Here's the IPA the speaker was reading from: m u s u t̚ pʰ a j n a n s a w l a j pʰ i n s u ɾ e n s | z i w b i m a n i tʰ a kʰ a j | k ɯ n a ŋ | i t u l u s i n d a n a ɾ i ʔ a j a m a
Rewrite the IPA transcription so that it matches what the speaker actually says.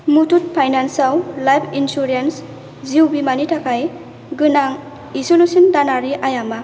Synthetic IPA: m u t u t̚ pʰ a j n a n s a w l a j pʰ i n s u ɾ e n s | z i w b i m a n i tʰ a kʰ a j | ɡ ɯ n a ŋ | i s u l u s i n d a n a ɾ i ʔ a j a m a